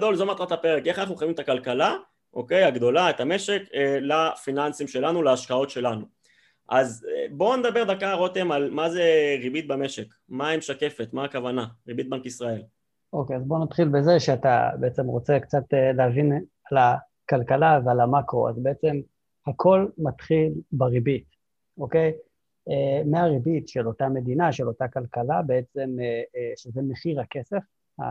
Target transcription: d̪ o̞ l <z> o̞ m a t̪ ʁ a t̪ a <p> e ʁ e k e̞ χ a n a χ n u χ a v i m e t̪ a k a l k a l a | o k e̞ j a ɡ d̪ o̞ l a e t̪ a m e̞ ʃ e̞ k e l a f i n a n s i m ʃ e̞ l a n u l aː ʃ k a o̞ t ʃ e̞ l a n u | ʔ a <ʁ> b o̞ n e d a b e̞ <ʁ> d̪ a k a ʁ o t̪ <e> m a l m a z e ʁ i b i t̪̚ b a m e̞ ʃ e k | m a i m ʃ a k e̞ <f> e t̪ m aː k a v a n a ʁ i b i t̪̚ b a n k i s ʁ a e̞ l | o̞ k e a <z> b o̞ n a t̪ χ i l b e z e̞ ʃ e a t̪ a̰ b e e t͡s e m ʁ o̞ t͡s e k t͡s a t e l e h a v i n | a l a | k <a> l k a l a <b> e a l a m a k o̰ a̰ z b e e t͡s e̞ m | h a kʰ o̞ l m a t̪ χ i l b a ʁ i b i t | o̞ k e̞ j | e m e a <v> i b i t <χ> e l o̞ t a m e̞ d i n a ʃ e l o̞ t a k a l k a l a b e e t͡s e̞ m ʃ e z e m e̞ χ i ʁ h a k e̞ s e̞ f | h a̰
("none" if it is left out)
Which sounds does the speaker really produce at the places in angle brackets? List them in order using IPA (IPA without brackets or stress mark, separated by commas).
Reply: z, p, z, ʁ, e, f, z, a, v, ʁ, ʃ